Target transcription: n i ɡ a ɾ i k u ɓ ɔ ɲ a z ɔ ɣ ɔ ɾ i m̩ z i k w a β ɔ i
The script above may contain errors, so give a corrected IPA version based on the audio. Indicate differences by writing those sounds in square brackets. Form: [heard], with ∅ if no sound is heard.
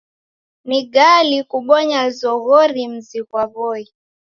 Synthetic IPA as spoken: n i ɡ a [l] i k u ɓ ɔ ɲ a z ɔ ɣ ɔ ɾ i m̩ z i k w a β ɔ i